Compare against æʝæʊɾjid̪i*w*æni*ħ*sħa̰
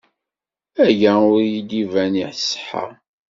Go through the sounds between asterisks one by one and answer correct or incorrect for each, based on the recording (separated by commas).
incorrect, correct